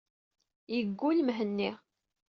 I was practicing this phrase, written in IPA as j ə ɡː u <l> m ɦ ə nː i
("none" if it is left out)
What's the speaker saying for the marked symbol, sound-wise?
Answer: l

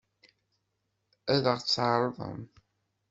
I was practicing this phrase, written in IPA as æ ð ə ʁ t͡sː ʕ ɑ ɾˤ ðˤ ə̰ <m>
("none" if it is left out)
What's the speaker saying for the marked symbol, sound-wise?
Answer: m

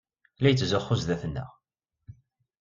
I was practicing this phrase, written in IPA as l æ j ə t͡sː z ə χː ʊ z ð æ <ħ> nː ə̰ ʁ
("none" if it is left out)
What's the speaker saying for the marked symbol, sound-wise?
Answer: θ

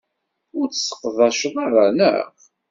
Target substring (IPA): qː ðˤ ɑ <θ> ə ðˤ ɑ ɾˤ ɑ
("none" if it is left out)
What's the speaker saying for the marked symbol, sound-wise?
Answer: ʃ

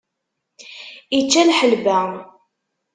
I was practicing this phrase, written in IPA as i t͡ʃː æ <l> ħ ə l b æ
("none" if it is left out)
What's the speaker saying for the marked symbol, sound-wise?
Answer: l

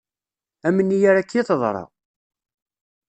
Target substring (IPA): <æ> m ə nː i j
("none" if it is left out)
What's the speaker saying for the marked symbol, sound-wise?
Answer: æ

